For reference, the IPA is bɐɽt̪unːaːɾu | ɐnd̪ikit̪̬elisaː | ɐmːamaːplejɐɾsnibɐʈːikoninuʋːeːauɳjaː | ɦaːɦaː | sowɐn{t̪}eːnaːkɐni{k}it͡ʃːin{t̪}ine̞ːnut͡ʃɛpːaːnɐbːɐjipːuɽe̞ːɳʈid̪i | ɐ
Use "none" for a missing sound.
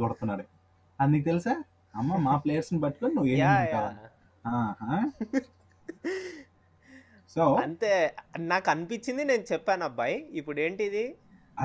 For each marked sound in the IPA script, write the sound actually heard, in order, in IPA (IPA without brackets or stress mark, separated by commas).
t̪, p, d̪